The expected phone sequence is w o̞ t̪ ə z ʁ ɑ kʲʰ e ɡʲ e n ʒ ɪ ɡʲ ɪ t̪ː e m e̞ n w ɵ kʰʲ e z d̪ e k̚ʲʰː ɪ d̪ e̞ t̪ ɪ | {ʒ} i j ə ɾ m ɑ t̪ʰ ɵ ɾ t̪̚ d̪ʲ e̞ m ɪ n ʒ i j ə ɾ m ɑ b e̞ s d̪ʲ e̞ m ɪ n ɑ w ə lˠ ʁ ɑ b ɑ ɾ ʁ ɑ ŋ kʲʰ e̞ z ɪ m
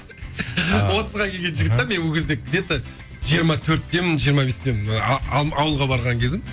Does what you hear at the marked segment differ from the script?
no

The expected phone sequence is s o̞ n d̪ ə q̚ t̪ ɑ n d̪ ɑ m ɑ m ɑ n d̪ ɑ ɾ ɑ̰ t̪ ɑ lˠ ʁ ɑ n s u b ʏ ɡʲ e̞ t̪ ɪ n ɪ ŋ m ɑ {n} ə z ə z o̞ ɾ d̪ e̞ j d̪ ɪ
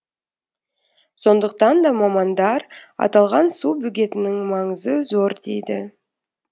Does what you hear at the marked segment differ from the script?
yes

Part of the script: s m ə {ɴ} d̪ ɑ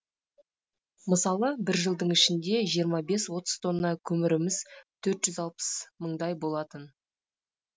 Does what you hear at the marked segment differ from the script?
no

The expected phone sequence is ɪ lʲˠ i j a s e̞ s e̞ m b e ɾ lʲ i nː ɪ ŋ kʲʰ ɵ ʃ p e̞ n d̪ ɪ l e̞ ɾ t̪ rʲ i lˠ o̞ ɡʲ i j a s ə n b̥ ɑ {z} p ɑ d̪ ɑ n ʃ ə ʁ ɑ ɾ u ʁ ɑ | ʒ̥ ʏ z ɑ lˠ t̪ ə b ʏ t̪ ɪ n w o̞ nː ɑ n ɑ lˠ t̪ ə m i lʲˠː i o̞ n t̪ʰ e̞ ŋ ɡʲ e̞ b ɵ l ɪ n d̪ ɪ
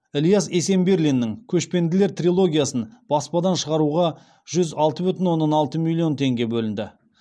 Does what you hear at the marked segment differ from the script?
yes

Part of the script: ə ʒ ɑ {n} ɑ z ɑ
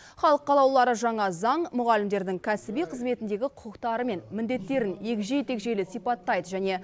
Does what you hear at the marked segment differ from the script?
yes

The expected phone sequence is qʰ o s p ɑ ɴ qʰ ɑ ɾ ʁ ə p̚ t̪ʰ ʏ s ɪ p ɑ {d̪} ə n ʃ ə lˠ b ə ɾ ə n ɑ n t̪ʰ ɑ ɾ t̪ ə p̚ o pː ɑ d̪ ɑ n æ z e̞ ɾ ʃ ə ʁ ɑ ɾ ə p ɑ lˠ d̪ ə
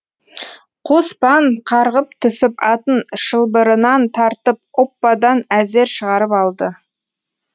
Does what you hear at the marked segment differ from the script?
yes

